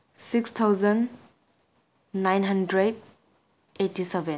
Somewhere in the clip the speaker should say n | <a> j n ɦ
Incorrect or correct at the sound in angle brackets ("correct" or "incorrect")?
correct